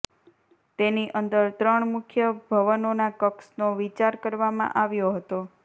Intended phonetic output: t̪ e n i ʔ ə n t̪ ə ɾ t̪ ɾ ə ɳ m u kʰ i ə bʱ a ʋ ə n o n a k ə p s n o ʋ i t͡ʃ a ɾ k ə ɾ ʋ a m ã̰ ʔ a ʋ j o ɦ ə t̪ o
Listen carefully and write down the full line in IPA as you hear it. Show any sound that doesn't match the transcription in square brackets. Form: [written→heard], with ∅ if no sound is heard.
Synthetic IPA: t̪ e n i ʔ ə n [t̪→d̪] ə ɾ t̪ ɾ ə ɳ m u kʰ [i→j] ə bʱ [a→ə] ʋ ə n o n a k ə [p→k] s n o ʋ i t͡ʃ a ɾ k ə ɾ ʋ a m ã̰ ʔ a ʋ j o ɦ ə t̪ o